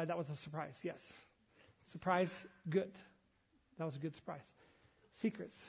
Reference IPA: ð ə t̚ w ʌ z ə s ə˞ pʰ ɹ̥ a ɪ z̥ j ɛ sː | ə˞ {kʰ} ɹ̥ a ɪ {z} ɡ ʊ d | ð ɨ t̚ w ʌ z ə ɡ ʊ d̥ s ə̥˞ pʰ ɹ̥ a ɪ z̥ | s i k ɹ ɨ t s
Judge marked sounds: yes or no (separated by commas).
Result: no, yes